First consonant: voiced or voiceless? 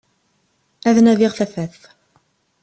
voiced